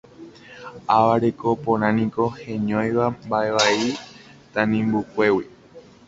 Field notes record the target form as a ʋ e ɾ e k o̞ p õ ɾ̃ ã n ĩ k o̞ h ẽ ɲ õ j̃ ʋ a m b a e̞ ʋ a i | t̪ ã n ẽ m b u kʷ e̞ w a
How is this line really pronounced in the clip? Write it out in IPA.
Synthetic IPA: a ʋ a ɾ e k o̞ p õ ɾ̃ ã n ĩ k o̞ h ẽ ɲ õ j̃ ʋ a m b a e̞ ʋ a i | t̪ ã n ĩ m b u kʷ e̞ w i